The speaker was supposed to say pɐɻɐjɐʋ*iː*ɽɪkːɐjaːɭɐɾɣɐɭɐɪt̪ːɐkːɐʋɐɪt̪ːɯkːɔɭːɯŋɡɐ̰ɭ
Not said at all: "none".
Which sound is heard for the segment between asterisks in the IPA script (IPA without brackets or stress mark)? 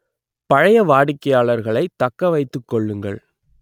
aː